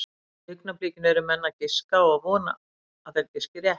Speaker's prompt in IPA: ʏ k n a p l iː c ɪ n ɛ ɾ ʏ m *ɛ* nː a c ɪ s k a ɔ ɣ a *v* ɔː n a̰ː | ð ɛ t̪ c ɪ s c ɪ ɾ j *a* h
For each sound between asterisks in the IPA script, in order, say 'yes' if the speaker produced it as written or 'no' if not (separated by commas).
yes, yes, no